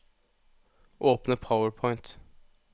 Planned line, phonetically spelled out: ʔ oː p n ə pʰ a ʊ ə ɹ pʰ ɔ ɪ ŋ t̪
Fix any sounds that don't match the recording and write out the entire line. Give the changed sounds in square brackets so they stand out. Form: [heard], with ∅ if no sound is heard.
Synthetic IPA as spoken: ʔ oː p n ə pʰ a ʊ ə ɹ pʰ ɔ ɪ [n] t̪